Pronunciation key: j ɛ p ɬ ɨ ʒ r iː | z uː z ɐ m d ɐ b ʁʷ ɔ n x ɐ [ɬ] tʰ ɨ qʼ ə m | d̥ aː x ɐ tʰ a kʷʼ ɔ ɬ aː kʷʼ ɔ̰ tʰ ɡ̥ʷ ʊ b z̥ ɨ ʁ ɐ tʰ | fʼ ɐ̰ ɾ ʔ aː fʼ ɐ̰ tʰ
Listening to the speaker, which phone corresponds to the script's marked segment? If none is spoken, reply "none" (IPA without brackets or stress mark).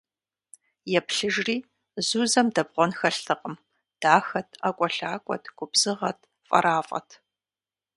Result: ɬ